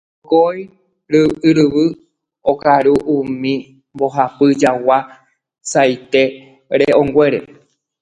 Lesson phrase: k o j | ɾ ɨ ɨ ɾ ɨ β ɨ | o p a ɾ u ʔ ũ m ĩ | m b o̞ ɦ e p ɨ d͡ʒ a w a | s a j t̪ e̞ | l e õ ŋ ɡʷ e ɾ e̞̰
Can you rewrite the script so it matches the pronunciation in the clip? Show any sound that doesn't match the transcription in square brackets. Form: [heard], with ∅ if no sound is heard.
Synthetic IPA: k o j | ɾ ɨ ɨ ɾ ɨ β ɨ | o [k] a ɾ u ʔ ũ m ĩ | m b o̞ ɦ [a] p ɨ d͡ʒ a w a | s a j t̪ e̞ | [ɾ] e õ ŋ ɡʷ e ɾ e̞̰